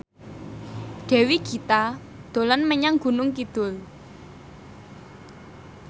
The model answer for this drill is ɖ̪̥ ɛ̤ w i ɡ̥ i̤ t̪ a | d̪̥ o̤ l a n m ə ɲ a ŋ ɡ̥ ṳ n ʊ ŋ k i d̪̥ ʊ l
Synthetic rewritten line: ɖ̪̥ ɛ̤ w i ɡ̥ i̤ t̪ a | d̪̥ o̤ l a n m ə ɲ a ŋ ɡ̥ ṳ n ʊ ŋ k i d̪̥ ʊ l